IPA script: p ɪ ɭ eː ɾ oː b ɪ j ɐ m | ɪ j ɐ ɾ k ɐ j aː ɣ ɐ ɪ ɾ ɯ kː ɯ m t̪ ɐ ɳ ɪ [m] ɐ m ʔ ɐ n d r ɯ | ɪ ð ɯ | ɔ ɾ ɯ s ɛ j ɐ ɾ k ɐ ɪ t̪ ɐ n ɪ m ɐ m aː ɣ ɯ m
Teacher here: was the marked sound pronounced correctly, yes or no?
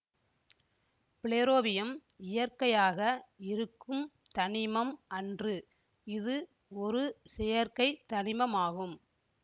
yes